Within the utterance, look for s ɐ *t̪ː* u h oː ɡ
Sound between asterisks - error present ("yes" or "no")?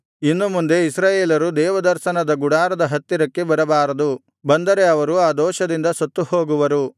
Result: no